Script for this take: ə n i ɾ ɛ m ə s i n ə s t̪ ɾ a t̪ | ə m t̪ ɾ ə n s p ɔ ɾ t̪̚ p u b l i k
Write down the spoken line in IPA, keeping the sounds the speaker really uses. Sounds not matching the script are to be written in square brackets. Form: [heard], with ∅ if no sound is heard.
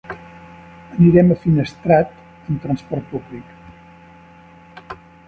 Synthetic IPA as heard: ə n i ɾ ɛ m ə [f] i n ə s t̪ ɾ a t̪ | ə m t̪ ɾ ə n s p ɔ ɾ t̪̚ p u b l i k